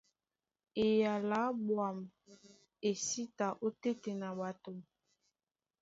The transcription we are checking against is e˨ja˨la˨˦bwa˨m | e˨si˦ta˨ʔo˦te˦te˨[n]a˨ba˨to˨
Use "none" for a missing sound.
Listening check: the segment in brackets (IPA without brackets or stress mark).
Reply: n